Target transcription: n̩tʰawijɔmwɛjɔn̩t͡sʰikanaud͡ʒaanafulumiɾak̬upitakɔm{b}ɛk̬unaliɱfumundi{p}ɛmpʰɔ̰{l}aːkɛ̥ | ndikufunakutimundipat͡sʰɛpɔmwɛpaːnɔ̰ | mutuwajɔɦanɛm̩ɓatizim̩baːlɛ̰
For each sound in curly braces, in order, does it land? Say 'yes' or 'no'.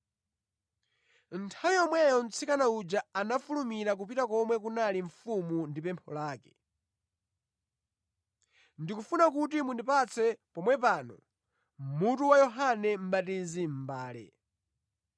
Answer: no, yes, yes

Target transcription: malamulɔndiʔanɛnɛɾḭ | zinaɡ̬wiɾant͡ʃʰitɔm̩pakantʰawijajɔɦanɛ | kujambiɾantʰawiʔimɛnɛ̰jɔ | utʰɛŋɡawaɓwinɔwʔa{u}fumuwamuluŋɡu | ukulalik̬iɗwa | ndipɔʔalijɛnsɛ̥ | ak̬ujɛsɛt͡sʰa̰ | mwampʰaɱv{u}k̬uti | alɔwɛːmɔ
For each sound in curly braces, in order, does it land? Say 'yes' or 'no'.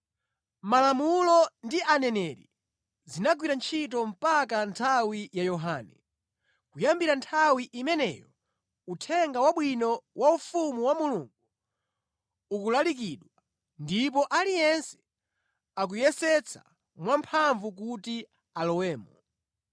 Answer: yes, yes

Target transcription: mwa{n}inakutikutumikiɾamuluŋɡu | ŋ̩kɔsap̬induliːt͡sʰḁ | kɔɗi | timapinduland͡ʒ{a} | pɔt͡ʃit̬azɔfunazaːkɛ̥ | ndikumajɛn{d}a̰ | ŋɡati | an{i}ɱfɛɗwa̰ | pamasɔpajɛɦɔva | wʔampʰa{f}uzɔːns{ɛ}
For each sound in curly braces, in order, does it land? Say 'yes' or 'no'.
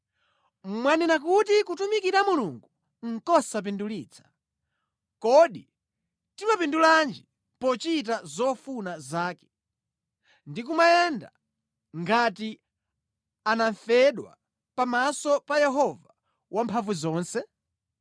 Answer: yes, no, yes, no, no, yes

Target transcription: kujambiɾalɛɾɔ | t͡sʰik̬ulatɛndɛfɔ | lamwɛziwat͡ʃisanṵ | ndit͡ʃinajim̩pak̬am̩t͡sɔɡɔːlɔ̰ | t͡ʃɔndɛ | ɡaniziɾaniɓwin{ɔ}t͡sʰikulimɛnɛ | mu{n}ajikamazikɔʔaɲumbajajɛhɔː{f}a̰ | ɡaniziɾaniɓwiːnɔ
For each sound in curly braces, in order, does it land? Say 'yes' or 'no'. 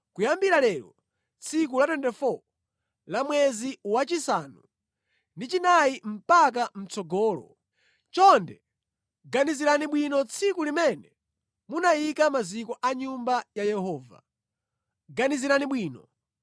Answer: yes, yes, no

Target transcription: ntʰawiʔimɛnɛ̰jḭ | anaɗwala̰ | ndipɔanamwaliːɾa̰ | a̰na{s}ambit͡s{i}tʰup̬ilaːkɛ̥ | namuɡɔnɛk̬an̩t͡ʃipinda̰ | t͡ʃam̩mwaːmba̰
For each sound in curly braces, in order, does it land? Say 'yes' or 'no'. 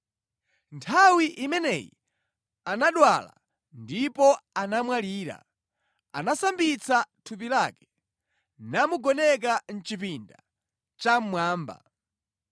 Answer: yes, no

